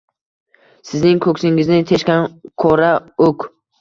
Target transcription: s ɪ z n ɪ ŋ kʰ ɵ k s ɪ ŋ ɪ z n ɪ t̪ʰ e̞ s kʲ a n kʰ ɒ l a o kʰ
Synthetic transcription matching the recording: s ɪ z n ɪ ŋ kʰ ɵ k s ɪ ŋ ɪ z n ɪ t̪ʰ e̞ ʃ kʲ a n kʰ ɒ ɾ a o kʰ

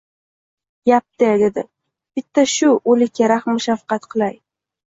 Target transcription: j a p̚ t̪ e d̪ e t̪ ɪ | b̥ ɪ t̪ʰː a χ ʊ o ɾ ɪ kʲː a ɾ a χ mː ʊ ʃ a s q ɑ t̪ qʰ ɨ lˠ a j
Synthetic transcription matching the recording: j a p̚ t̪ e d̪ e d̪ ɪ | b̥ ɪ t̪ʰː a ʃ ʊ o l ɪ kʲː a ɾ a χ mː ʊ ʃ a f q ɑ t̪ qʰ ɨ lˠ a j

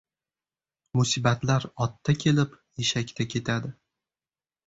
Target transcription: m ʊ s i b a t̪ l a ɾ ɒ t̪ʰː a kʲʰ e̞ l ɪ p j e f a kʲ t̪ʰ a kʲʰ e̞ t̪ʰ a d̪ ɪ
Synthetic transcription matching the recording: m ʊ s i b a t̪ l a ɾ ɒ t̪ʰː a kʲʰ e̞ l ɪ p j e ʃ a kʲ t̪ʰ a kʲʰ e̞ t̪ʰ a d̪ ɪ

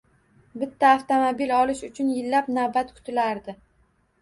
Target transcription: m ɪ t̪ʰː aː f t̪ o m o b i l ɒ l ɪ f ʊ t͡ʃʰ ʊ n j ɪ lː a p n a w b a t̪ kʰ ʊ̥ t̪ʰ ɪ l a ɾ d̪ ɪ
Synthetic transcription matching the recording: b ɪ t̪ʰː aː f t̪ o m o b i l ɒ l ɪ ʃ ʊ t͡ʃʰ ʊ n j ɪ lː a p n a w b a t̪ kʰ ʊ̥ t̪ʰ ɪ l a ɾ d̪ ɪ

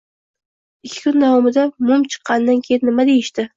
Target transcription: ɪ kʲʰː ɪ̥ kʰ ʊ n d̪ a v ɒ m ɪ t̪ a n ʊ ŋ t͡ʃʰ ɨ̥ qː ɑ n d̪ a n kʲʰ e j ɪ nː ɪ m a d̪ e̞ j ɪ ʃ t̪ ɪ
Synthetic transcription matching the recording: ɪ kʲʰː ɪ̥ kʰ ʊ n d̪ a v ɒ m ɪ d̪ a m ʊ m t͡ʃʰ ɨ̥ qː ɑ n d̪ a n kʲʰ e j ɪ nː ɪ m a d̪ e̞ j ɪ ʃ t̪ ɪ

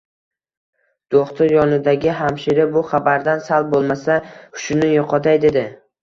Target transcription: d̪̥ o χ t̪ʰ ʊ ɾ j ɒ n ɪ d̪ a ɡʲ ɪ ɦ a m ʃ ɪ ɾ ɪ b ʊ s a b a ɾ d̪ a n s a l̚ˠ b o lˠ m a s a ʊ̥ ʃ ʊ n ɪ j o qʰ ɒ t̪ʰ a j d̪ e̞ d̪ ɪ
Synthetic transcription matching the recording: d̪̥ o χ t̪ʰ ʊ ɾ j ɒ n ɪ d̪ a ɡʲ ɪ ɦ a m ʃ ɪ ɾ ɪ b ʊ χ a b a ɾ d̪ a n s a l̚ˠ b o lˠ m a s a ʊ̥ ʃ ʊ n ɪ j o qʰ ɒ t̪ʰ a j d̪ e̞ d̪ ɪ

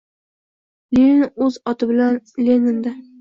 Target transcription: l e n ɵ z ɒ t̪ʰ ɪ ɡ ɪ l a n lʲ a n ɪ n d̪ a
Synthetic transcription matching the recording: l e n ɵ z ɒ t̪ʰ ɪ b ɪ l a n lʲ e n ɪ n d̪ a

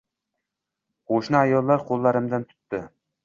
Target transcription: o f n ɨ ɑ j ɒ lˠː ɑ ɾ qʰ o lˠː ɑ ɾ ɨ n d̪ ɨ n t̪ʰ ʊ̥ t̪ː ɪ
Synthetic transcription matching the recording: o ʃ n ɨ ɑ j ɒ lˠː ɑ ɾ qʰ o lˠː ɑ ɾ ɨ m d̪ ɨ n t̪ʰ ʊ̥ t̪ː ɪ

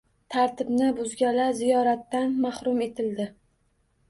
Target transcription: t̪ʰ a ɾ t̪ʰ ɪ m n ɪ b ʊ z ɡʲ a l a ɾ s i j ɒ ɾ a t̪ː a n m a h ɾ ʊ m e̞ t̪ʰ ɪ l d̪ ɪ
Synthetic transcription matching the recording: t̪ʰ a ɾ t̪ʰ ɪ b n ɪ b ʊ z ɡʲ a l a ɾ z i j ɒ ɾ a t̪ː a n m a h ɾ ʊ m e̞ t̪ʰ ɪ l d̪ ɪ

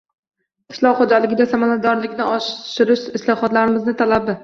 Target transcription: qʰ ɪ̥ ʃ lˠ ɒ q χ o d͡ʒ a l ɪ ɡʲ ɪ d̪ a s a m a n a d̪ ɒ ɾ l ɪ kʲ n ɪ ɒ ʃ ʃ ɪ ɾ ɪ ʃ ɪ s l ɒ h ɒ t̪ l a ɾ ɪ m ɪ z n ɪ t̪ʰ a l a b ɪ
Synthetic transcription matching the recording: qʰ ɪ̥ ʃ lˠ ɒ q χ o d͡ʒ a l ɪ ɡʲ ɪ d̪ a s a m a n a d̪ ɒ ɾ l ɪ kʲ n ɪ ɒ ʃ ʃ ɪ ɾ ɪ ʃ ɪ s l ɒ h ɒ t̪ l a ɾ ɪ m ɪ z n ɪ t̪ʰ a l a b ɪ

